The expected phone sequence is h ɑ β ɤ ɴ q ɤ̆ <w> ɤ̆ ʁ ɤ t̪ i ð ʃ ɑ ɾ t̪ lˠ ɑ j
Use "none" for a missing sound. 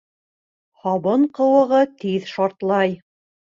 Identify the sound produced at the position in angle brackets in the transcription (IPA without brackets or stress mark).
w